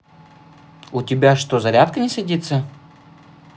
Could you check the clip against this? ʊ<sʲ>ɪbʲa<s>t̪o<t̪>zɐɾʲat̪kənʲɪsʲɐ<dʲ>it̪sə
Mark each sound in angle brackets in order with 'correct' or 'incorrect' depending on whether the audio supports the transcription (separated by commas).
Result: incorrect, incorrect, incorrect, correct